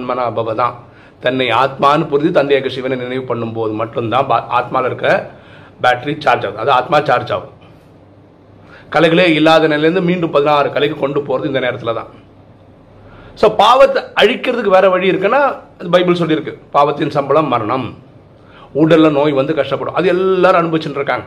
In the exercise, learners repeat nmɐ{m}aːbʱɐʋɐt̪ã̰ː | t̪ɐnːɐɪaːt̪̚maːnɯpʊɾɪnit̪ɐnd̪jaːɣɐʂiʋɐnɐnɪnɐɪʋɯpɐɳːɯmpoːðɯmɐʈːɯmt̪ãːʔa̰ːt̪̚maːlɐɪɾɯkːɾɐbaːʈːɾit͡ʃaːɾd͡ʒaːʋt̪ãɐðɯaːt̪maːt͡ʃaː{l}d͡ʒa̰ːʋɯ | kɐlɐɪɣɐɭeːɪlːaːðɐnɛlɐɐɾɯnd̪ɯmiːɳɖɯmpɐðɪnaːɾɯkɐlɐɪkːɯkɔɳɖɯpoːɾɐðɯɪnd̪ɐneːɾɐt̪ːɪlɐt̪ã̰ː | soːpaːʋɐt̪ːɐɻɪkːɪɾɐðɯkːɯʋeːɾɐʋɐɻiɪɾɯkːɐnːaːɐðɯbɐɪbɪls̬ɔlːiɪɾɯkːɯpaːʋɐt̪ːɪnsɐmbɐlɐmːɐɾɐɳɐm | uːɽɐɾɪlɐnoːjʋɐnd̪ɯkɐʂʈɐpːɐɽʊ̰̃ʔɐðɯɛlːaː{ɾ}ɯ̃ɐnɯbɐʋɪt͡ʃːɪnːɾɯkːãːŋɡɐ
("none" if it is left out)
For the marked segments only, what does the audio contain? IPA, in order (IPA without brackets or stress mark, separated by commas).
n, ɾ, ɾ